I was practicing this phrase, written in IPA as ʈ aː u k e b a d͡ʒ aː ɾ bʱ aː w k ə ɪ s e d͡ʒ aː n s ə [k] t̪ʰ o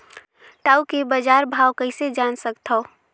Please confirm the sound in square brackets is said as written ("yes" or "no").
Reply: yes